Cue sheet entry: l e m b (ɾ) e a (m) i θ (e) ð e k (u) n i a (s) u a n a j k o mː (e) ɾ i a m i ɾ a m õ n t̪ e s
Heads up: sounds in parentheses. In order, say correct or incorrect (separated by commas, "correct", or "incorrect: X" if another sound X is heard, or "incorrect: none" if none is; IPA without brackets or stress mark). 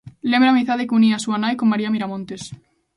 correct, correct, incorrect: a, correct, correct, incorrect: a